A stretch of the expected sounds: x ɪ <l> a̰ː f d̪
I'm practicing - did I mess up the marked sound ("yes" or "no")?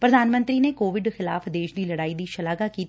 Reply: no